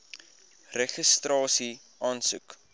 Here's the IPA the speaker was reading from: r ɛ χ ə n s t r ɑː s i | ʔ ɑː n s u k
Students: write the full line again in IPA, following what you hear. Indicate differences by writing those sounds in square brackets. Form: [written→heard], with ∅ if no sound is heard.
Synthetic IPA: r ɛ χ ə [n→∅] s t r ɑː s i | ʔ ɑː n s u k